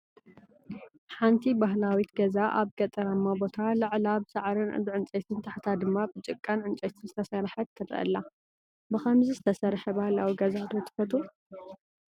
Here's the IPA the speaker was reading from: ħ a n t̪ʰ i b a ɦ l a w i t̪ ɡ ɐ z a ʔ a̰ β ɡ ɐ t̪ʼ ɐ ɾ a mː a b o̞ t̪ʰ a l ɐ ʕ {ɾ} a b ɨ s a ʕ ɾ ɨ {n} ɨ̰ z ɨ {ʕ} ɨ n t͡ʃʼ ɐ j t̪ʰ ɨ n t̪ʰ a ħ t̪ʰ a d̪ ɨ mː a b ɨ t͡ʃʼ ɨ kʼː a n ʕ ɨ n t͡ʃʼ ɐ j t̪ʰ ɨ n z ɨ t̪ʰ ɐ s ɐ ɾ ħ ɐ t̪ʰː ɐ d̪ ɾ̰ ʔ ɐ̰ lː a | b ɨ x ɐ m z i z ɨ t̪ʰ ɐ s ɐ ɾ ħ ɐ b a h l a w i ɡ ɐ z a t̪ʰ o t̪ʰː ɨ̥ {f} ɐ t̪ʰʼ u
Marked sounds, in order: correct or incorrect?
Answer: incorrect, correct, correct, correct

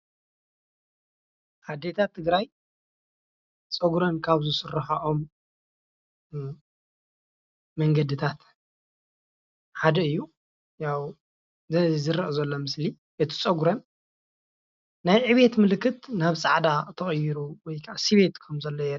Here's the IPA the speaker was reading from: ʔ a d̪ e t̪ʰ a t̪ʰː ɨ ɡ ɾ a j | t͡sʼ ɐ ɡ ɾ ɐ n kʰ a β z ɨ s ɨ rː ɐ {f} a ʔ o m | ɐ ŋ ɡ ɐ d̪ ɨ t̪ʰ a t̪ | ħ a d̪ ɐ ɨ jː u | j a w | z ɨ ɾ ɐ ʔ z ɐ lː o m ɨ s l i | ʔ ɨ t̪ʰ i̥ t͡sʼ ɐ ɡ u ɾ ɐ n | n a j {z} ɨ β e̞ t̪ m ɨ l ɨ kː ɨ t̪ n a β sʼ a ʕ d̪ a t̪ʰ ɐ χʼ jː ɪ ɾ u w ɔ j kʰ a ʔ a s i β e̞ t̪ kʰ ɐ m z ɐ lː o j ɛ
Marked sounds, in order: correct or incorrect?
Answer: incorrect, incorrect

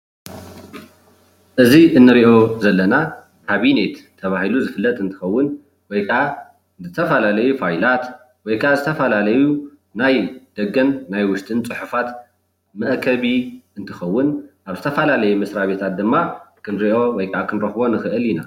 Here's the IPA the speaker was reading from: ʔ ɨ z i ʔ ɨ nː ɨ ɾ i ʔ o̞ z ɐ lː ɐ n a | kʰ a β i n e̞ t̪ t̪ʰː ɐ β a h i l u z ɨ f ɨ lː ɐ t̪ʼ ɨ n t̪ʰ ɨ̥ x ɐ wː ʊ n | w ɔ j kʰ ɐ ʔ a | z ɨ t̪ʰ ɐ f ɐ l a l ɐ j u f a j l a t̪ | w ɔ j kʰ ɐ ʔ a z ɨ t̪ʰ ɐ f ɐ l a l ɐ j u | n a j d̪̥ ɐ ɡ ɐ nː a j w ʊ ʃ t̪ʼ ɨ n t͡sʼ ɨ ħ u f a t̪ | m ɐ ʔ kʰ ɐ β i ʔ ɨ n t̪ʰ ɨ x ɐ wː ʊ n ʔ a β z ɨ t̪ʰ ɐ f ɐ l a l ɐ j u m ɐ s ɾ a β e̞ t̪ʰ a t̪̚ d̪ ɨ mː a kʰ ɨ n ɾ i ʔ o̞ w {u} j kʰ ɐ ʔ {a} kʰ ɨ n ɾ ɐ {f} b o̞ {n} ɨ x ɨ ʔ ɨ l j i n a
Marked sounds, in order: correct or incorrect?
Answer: incorrect, correct, incorrect, correct

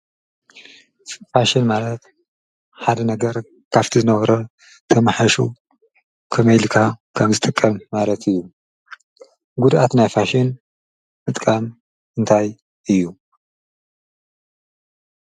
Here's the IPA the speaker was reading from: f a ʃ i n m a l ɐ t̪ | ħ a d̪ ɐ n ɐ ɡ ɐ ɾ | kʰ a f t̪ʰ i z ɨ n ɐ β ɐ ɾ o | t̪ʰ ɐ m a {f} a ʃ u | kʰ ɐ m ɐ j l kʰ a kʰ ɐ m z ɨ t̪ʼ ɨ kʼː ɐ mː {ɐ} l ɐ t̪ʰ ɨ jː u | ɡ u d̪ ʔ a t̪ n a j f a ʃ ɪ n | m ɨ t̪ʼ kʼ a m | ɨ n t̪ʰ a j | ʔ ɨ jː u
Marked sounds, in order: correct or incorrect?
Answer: incorrect, incorrect

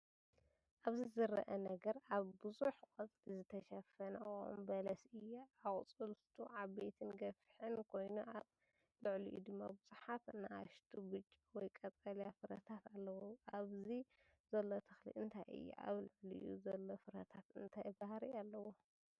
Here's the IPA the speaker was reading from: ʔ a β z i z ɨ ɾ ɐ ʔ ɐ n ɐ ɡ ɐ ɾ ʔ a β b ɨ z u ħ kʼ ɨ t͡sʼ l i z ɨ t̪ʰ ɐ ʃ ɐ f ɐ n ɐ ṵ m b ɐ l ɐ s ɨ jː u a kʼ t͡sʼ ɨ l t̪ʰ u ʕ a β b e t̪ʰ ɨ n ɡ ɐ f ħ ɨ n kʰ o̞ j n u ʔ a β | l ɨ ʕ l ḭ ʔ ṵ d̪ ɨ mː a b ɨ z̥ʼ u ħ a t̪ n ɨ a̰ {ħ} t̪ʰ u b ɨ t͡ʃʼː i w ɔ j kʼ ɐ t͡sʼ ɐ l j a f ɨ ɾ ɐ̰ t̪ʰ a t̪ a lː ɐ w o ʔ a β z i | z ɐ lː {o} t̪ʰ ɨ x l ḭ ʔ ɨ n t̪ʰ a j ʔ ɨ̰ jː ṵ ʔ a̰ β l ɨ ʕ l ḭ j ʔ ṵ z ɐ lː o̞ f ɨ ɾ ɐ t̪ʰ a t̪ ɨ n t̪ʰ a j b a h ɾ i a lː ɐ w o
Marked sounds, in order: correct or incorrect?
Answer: incorrect, correct

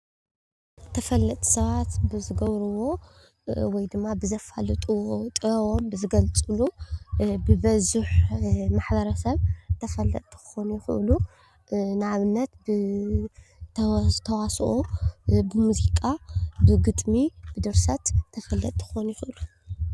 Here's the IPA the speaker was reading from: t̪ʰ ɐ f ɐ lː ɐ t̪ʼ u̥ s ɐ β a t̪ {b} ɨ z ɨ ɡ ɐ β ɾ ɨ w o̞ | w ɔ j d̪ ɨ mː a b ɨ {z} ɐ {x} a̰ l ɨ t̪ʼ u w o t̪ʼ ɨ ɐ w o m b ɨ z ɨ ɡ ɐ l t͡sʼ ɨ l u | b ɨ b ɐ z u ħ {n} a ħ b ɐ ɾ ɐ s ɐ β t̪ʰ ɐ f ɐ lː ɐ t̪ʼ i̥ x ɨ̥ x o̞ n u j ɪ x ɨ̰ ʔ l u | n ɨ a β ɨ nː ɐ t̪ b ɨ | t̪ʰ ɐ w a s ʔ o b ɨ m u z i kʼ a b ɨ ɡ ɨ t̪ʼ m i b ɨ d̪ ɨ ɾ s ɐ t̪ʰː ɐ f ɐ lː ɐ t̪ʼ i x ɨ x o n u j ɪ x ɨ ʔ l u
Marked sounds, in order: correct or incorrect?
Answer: correct, correct, incorrect, incorrect

